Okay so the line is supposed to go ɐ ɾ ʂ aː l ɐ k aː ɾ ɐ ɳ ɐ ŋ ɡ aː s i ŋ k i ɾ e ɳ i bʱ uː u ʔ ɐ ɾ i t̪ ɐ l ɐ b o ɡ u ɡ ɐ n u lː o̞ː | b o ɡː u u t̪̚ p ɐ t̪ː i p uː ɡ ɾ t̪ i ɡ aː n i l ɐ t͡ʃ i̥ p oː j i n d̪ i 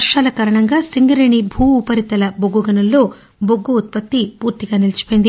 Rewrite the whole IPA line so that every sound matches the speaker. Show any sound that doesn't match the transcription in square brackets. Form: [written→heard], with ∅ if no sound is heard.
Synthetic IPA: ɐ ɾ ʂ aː l ɐ k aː ɾ ɐ ɳ ɐ ŋ ɡ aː s i ŋ [k→ɡ] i ɾ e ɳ i bʱ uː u [ʔ→p] ɐ ɾ i t̪ ɐ l ɐ b o ɡ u ɡ ɐ n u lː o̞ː | b o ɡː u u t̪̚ p ɐ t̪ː i p uː [ɡ→∅] ɾ t̪ i ɡ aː n i l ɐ t͡ʃ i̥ p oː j i n d̪ i

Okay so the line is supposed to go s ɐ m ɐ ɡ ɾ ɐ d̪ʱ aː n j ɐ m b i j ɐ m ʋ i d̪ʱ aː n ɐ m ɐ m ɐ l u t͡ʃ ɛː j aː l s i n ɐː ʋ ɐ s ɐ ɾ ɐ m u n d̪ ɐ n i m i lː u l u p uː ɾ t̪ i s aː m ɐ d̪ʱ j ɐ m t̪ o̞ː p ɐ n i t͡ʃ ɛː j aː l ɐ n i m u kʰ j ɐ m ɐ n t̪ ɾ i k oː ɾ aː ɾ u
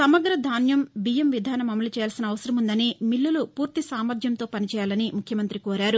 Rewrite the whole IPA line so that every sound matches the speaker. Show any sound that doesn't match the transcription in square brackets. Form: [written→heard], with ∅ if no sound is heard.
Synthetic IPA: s ɐ m ɐ ɡ ɾ ɐ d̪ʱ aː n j ɐ m b i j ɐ m ʋ i d̪ʱ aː n ɐ m ɐ m ɐ l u t͡ʃ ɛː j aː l s i n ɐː ʋ ɐ s ɐ ɾ ɐ m u n d̪ ɐ n i m i lː u l u p uː ɾ t̪ i s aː m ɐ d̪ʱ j ɐ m t̪ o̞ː p ɐ n i t͡ʃ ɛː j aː l ɐ n i m u kʰ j ɐ m ɐ n t̪ ɾ i k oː ɾ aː ɾ u

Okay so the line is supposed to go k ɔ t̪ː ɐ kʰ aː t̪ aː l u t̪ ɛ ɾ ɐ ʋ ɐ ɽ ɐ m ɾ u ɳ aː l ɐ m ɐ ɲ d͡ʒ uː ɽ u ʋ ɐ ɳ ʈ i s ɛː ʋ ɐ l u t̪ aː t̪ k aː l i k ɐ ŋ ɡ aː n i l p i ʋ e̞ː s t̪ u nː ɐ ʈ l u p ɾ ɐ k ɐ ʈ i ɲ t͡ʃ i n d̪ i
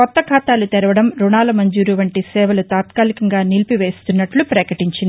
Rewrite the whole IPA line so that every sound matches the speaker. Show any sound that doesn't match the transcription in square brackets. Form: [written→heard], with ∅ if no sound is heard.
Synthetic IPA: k ɔ t̪ː ɐ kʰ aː t̪ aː l u t̪ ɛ ɾ ɐ ʋ ɐ ɽ ɐ m ɾ u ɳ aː l ɐ m ɐ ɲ d͡ʒ uː [ɽ→ɾ] u ʋ ɐ ɳ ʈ i s ɛː ʋ ɐ l u t̪ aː t̪ k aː l i k ɐ ŋ ɡ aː n i l p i ʋ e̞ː s t̪ u nː ɐ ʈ l u p ɾ ɐ k ɐ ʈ i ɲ t͡ʃ i n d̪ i

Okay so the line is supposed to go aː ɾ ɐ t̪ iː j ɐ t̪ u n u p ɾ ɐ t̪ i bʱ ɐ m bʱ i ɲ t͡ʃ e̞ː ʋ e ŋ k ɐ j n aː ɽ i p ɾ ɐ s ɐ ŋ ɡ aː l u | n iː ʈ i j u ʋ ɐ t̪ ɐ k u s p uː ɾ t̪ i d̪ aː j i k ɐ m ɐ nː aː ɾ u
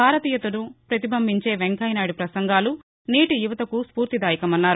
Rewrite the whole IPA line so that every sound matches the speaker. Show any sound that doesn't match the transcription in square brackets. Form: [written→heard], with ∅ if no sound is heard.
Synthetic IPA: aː ɾ ɐ t̪ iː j ɐ t̪ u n u p ɾ ɐ t̪ i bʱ ɐ m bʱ i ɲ t͡ʃ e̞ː ʋ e ŋ k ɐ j n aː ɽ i p ɾ ɐ s ɐ ŋ ɡ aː l u | n iː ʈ i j u ʋ ɐ t̪ ɐ k u s p uː ɾ t̪ i d̪ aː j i k ɐ m ɐ nː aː ɾ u

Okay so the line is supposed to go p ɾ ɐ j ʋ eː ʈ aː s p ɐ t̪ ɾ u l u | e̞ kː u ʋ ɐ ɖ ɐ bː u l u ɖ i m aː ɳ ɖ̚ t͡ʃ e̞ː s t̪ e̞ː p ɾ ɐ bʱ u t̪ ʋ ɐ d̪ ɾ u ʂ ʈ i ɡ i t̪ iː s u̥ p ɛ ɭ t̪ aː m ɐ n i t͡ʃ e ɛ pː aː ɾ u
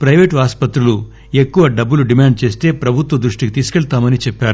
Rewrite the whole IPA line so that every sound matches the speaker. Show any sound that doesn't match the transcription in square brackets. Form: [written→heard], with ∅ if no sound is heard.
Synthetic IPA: p ɾ ɐ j ʋ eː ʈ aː s p ɐ t̪ ɾ u l u | e̞ kː u ʋ ɐ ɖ ɐ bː u l u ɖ i m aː ɳ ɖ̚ t͡ʃ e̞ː s t̪ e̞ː p ɾ ɐ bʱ u t̪ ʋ ɐ d̪ ɾ u ʂ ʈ i [ɡ→k] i t̪ iː s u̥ [p→k] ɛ ɭ t̪ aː m ɐ n i t͡ʃ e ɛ pː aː ɾ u

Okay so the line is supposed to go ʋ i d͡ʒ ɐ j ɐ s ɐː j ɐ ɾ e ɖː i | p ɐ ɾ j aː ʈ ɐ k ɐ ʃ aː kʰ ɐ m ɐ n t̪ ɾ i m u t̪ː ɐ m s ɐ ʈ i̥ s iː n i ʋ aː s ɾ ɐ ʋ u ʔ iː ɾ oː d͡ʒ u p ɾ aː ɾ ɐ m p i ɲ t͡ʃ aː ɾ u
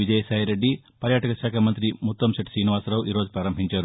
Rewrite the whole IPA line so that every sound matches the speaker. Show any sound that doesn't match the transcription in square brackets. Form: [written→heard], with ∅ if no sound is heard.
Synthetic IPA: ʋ i d͡ʒ ɐ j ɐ s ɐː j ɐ ɾ e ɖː i | p ɐ ɾ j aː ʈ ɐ k ɐ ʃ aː kʰ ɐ m ɐ n t̪ ɾ i m u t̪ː ɐ m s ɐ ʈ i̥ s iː n i ʋ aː s ɾ ɐ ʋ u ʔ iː ɾ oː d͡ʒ u p ɾ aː ɾ ɐ m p i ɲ t͡ʃ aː ɾ u

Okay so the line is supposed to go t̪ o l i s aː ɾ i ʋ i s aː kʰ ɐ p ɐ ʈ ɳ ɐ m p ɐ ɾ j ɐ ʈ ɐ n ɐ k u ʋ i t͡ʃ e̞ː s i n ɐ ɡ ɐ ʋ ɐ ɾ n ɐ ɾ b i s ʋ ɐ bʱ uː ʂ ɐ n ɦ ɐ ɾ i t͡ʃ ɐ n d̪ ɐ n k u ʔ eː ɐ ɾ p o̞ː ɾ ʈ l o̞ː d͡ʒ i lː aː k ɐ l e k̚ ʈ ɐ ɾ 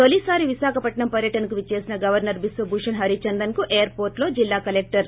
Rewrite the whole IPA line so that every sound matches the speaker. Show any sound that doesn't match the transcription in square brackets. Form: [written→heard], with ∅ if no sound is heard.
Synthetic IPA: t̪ o l i s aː ɾ i ʋ i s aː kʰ ɐ p ɐ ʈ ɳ ɐ m p ɐ ɾ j ɐ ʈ ɐ n ɐ k u ʋ i t͡ʃ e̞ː s i n ɐ ɡ ɐ ʋ ɐ ɾ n ɐ ɾ b i s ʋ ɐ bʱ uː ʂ ɐ n ɦ ɐ ɾ i t͡ʃ ɐ n d̪ ɐ n k u ʔ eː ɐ ɾ p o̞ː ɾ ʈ l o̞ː d͡ʒ i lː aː k ɐ l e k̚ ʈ ɐ ɾ

